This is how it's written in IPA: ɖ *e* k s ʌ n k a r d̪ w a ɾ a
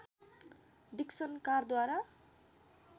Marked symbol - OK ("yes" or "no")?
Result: no